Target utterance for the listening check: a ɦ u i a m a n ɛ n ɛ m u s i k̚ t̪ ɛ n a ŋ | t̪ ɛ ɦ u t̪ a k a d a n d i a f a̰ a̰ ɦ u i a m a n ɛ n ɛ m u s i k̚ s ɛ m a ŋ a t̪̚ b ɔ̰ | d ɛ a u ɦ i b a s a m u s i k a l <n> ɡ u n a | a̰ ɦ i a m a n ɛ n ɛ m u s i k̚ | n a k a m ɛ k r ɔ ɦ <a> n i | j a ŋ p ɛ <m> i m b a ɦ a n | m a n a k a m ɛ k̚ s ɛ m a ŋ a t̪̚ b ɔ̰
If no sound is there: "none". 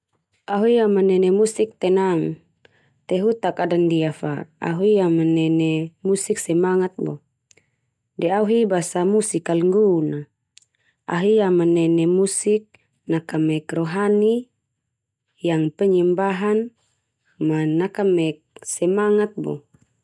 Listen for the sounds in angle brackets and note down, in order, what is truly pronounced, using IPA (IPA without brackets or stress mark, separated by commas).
ŋ, a, ɲ